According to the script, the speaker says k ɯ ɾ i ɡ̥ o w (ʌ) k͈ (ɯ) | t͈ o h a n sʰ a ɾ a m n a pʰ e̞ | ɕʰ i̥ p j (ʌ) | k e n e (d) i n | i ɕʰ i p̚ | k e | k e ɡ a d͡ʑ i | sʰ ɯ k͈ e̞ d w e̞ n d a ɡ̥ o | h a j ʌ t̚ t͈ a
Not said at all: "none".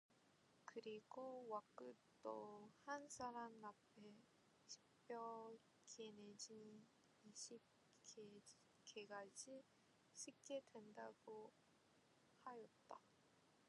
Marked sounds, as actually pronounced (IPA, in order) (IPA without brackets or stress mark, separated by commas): a, ɯ, ʌ, d͡ʑ